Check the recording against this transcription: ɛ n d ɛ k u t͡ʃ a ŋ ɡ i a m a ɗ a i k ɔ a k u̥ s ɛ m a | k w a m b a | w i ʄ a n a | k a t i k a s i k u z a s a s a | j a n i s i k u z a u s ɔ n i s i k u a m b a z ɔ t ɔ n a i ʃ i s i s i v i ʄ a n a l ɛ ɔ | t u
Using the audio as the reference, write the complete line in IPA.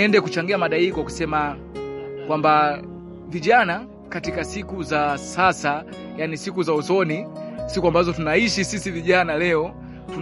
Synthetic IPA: ɛ n d ɛ k u t͡ʃ a ŋ ɡ i a m a ɗ a i k ɔ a k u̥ s ɛ m a | k w a m b a | v i ʄ a n a | k a t i k a s i k u z a s a s a | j a n i s i k u z a u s ɔ n i s i k u a m b a z ɔ t u n a i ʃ i s i s i v i ʄ a n a l ɛ ɔ | t u